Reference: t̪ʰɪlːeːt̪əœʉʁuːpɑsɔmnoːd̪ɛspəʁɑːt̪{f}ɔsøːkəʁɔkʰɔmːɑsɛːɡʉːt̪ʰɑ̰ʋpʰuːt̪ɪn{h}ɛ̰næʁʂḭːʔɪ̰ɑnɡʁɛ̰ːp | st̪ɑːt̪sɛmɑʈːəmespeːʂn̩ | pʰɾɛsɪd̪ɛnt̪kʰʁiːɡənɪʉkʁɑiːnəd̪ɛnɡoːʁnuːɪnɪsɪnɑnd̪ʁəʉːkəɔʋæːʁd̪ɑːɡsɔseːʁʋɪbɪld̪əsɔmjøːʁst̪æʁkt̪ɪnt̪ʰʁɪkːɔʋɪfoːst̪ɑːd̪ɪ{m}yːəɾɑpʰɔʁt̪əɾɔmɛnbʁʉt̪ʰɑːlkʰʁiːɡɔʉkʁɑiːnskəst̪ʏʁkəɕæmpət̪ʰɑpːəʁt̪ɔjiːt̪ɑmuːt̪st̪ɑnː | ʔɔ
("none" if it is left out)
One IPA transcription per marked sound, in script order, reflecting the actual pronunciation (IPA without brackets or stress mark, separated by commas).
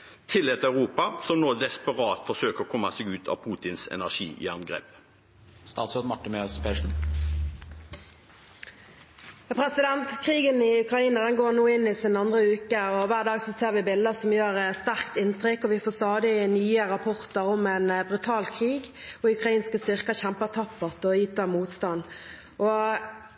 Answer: f, s, n